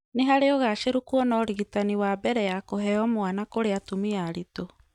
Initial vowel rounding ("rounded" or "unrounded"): unrounded